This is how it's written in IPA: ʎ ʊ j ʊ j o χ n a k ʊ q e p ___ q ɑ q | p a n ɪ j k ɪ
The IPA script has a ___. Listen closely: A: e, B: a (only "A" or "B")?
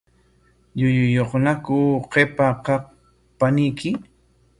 B